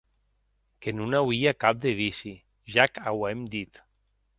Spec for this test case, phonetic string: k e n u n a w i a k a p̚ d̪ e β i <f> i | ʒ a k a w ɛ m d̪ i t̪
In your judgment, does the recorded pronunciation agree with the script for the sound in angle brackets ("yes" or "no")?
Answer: no